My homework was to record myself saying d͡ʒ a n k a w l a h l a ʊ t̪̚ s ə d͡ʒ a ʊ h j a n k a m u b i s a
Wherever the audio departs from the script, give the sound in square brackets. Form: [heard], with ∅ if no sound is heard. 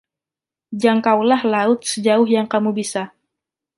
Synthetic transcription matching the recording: d͡ʒ a [ŋ] k a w l a h l a ʊ t̪̚ s ə d͡ʒ a ʊ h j a [ŋ] k a m u b i s a